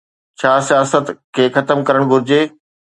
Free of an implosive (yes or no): yes